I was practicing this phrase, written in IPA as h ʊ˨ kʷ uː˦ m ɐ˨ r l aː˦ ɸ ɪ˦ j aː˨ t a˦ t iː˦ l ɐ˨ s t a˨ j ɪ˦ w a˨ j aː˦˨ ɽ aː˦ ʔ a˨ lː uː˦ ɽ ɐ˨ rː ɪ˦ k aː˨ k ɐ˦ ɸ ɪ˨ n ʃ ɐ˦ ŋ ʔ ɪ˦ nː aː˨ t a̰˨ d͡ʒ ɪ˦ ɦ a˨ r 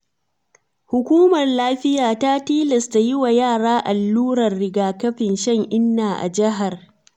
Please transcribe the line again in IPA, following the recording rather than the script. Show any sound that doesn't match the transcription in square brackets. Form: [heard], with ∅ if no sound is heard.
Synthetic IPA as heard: h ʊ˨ kʷ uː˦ m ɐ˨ r l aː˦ ɸ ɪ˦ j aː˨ t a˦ t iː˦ l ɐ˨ s t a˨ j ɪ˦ w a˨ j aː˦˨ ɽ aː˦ ʔ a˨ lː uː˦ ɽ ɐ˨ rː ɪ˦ [ɡ] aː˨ k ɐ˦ ɸ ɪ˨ n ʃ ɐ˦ ŋ ʔ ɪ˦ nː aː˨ [ʔ] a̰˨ d͡ʒ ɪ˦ ɦ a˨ r